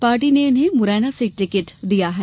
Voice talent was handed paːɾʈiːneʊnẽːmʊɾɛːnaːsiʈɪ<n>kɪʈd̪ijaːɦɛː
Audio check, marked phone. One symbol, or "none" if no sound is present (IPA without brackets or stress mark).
none